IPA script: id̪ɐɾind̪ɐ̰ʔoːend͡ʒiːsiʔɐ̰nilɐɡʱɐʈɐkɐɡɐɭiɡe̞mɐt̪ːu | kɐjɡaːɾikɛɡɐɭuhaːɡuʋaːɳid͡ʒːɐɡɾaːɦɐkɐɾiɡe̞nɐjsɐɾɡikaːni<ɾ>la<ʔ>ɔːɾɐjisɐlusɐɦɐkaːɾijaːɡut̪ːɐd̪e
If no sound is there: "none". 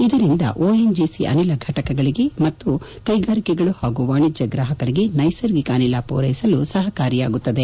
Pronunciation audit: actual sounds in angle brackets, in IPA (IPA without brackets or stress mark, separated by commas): none, p